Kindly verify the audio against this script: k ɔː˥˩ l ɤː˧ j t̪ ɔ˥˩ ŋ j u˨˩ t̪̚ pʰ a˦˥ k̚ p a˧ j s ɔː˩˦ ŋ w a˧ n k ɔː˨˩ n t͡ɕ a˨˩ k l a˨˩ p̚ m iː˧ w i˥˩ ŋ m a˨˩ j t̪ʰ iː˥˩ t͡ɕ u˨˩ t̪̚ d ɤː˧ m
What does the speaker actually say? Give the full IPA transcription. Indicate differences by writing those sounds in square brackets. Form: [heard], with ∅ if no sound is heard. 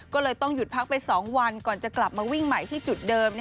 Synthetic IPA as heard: k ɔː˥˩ l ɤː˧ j t̪ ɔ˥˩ ŋ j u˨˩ t̪̚ pʰ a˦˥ k̚ p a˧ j s ɔː˩˦ ŋ w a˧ n k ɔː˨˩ n t͡ɕ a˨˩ k l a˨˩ p̚ m [aː˧] w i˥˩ ŋ m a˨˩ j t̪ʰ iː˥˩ t͡ɕ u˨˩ t̪̚ d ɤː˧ m